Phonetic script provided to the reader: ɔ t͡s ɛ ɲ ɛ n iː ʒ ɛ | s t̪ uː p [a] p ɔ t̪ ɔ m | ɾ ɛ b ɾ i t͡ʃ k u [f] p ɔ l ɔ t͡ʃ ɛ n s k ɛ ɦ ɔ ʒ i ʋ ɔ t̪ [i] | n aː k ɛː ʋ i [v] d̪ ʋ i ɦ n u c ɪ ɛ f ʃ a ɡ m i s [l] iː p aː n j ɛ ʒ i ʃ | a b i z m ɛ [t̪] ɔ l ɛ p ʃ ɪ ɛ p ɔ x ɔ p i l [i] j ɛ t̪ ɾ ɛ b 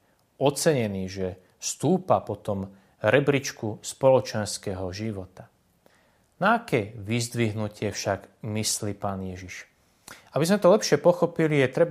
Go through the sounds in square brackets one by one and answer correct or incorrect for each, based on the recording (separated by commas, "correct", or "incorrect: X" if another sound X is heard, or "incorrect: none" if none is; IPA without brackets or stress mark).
correct, incorrect: s, incorrect: a, incorrect: z, correct, correct, correct